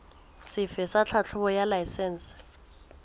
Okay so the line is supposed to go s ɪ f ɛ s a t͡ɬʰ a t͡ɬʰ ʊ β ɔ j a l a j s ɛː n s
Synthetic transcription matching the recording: s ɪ f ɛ s a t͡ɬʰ a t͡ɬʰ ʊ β ɔ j a l a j s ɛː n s